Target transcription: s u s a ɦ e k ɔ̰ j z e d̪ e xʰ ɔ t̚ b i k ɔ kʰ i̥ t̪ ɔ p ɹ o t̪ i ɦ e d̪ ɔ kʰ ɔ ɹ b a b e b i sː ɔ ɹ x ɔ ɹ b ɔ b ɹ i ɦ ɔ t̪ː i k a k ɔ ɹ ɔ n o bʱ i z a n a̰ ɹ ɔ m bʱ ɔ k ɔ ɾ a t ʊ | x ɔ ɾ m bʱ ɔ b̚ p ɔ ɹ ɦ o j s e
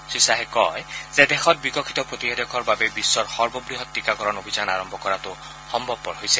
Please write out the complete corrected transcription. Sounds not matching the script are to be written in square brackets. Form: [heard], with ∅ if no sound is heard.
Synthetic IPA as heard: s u s a ɦ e k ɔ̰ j z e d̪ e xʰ ɔ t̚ b i k ɔ kʰ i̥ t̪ ɔ p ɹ o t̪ i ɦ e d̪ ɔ kʰ ɔ ɹ b a b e b i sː ɔ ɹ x ɔ ɹ b ɔ b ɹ i ɦ ɔ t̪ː i k a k ɔ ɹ ɔ n o bʱ i z a n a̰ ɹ ɔ m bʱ ɔ k ɔ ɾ a t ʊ | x ɔ [∅] m bʱ ɔ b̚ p ɔ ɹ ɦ o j s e